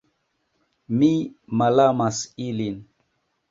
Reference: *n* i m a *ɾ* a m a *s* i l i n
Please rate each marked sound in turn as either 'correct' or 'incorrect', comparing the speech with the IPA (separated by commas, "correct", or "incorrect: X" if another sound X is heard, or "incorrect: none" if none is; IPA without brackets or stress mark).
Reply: incorrect: m, incorrect: l, correct